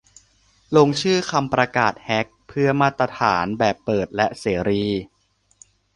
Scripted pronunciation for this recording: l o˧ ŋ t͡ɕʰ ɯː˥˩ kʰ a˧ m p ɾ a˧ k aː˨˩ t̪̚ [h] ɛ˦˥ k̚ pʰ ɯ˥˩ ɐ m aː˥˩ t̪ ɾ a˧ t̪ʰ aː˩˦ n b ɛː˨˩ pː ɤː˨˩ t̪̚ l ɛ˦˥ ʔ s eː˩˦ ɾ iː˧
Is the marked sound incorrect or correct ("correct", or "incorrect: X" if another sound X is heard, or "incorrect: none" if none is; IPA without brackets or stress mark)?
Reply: correct